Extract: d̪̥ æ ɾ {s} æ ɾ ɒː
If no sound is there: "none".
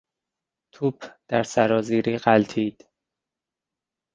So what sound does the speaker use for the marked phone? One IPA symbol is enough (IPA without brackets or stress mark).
s